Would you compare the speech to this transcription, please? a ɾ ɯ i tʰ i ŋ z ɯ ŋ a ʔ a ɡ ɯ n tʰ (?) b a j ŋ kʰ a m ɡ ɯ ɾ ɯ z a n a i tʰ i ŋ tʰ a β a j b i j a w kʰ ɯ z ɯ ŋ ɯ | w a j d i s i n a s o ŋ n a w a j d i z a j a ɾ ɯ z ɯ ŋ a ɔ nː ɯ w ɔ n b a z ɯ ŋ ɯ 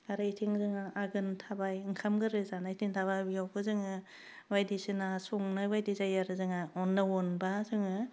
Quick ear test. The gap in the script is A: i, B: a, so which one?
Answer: B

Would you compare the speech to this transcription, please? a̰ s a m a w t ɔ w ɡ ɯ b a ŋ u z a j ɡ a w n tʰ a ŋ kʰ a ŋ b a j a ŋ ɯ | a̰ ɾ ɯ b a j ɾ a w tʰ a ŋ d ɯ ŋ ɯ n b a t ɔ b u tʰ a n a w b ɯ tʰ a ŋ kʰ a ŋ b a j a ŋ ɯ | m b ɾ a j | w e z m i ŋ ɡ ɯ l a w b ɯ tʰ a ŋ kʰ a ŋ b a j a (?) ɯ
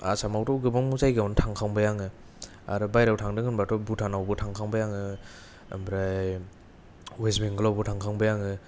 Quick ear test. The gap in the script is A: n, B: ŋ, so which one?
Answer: B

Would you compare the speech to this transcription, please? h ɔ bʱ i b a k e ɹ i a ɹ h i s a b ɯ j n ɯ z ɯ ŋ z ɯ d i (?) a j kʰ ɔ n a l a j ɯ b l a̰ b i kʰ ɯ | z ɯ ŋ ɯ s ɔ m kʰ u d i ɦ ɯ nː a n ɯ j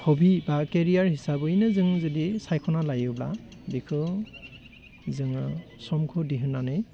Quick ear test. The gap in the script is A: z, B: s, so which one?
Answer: B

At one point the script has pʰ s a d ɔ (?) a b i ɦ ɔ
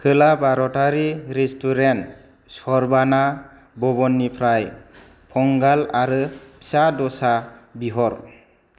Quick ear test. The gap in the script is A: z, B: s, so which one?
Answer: B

